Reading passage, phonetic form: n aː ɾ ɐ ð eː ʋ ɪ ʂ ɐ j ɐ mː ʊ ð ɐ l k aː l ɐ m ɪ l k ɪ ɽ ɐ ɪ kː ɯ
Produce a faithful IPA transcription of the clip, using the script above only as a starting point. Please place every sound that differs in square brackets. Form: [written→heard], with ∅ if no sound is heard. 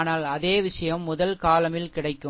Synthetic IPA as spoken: n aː [ɾ→l] ɐ ð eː ʋ ɪ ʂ ɐ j ɐ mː ʊ ð ɐ l k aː l ɐ m ɪ l k ɪ ɽ ɐ ɪ kː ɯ